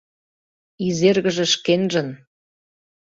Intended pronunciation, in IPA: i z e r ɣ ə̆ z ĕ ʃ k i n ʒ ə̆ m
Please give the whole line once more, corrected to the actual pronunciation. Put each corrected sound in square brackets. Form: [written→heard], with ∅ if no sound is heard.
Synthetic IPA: i z e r ɣ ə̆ [z→ʒ] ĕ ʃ k [i→e] n ʒ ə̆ [m→n]